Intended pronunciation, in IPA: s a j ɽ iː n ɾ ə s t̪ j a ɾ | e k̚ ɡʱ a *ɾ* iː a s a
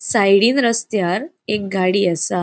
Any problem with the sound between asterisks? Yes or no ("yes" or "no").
yes